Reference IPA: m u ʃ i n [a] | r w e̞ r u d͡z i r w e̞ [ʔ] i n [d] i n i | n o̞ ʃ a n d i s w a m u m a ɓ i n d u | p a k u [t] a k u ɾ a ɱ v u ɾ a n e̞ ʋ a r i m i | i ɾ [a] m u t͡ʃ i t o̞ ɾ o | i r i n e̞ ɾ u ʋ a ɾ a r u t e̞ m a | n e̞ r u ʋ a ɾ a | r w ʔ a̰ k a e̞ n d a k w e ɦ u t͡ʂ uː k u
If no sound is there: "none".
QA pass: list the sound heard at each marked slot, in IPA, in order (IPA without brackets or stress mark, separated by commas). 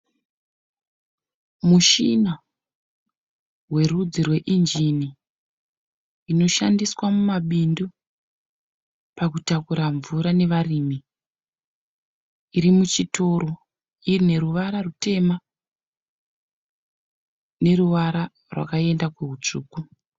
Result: a, ʔ, d͡ʒ, t, i